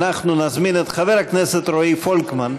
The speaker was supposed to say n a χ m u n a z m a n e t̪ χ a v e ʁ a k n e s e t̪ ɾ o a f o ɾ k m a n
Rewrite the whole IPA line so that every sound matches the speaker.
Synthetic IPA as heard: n a χ n u n a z m i n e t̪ χ a v e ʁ a k n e s e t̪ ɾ o i f o l k m a n